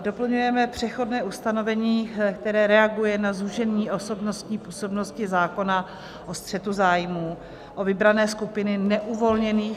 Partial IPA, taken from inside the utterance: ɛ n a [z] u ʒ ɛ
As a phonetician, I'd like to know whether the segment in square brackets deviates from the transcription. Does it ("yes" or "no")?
no